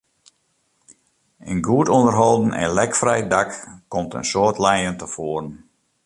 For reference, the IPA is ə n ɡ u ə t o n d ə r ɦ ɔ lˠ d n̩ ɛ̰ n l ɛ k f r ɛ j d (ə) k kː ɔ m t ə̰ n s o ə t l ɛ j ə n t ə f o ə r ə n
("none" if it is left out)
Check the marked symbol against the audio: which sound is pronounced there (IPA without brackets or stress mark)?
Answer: a